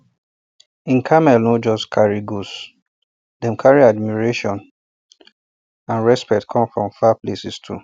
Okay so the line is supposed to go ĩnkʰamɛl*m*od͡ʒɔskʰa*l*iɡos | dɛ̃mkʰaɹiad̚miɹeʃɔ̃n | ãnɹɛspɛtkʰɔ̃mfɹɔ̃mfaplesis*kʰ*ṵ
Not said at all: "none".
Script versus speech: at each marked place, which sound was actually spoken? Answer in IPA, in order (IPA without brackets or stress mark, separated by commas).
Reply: n, ɹ, tʰ